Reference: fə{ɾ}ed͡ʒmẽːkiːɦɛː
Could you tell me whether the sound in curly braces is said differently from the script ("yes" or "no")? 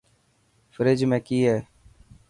no